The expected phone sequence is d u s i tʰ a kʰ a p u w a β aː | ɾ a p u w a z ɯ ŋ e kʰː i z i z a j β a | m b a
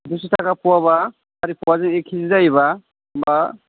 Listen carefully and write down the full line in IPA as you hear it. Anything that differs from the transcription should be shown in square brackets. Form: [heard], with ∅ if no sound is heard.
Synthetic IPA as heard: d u s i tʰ a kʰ a p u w a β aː | ɾ [i] p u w a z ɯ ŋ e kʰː i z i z a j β a | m b a